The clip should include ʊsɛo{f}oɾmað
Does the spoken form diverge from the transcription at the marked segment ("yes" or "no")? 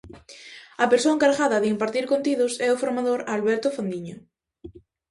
no